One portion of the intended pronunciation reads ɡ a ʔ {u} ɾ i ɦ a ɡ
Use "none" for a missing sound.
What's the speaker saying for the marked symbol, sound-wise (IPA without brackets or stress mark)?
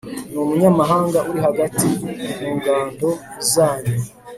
u